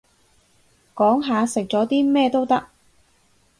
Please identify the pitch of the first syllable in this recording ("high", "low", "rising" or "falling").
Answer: rising